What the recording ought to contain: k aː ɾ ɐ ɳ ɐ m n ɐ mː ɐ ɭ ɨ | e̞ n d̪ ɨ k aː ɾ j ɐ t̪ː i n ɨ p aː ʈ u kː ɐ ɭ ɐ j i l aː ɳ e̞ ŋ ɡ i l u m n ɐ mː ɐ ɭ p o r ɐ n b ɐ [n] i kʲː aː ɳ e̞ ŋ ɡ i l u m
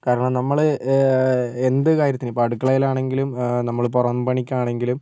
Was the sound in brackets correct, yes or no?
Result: no